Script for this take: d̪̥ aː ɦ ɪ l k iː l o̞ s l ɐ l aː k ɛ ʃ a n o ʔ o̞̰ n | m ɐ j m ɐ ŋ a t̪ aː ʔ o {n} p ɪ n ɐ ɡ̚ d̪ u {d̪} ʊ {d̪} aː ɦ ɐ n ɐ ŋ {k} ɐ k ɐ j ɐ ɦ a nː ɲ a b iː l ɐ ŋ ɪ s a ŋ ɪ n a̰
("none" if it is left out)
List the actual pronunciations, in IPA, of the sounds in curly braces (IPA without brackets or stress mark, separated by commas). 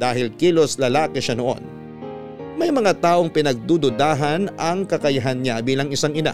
ŋ, d̪, d̪, k